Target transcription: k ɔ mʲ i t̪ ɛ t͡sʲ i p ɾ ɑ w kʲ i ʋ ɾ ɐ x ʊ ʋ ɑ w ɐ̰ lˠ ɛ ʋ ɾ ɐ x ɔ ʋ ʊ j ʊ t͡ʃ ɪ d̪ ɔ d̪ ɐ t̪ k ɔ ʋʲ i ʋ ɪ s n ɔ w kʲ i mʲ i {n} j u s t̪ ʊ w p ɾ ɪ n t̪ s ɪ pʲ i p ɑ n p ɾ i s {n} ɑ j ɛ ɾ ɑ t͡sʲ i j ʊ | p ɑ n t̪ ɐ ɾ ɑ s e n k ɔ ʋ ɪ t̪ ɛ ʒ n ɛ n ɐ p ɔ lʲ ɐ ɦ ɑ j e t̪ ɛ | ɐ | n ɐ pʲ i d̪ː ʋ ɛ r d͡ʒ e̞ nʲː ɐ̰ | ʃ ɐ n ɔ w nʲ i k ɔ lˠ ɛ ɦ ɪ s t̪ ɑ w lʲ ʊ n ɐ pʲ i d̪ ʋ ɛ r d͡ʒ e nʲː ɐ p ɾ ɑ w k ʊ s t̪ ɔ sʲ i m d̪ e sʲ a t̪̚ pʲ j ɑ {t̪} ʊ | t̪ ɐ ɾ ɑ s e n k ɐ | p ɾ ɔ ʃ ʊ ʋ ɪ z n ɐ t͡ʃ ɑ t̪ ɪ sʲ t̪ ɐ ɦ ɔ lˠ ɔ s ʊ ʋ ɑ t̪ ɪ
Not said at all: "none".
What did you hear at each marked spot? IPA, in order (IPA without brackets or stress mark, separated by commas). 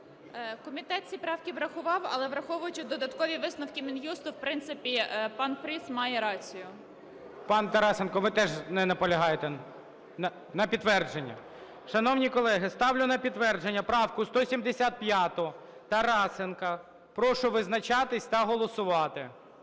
n, m, t̪